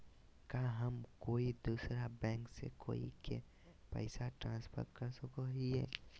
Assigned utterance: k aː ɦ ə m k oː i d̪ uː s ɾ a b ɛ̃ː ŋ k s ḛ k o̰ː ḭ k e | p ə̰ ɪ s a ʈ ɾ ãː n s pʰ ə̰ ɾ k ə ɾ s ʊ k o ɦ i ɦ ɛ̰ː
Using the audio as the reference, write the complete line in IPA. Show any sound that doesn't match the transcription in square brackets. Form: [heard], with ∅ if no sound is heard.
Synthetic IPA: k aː ɦ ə m k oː i d̪ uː s ɾ a b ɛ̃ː ŋ k s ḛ k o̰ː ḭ k e | p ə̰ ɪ s a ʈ ɾ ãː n s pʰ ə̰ ɾ k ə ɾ s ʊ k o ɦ i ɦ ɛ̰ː